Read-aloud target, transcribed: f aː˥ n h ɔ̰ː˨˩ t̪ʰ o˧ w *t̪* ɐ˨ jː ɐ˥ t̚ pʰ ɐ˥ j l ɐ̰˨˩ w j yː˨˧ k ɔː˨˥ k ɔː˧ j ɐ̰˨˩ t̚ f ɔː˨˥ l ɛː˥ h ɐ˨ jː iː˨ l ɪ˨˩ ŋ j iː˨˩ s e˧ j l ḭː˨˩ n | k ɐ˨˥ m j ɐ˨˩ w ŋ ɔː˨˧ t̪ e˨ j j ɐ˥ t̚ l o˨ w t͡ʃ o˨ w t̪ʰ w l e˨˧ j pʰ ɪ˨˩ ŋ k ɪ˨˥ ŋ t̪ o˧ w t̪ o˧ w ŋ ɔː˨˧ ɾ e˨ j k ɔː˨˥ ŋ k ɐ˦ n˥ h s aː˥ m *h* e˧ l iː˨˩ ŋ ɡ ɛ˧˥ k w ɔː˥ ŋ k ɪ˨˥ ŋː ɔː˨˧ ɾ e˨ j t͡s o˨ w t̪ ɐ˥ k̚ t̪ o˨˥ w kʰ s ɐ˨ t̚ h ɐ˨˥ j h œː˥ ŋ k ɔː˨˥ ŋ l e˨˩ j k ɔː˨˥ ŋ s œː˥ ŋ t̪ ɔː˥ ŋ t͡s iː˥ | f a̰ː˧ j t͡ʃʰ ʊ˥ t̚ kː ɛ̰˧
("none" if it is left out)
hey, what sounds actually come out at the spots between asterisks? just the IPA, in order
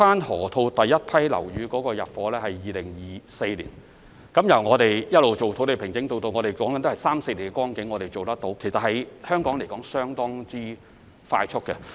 t̪, s

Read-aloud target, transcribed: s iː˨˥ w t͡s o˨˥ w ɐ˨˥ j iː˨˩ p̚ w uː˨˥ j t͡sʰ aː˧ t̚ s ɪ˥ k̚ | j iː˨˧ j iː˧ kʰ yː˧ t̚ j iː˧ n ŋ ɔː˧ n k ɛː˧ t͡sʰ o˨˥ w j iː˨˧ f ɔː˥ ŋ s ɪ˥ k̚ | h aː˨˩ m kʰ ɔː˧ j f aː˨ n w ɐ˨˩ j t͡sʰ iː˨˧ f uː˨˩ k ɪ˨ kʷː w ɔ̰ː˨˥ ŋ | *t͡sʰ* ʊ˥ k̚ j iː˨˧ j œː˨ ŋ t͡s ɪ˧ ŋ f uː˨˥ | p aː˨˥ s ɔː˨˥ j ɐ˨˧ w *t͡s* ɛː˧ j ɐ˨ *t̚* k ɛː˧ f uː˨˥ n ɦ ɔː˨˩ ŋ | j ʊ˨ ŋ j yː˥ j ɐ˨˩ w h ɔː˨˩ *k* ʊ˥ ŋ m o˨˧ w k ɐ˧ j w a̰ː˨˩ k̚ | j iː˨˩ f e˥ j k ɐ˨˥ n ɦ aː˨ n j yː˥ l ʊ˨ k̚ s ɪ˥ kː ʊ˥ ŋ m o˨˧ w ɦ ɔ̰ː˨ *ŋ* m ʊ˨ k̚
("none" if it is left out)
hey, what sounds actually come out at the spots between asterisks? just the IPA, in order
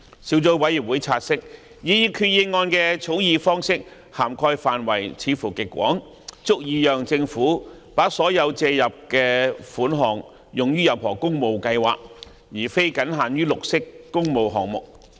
t͡s, t͡s, p̚, k, ŋ

